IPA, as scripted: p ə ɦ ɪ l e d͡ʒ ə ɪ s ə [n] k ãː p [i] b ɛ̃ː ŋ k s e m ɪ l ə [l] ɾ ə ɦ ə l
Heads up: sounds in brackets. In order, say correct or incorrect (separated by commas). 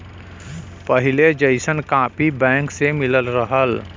correct, correct, correct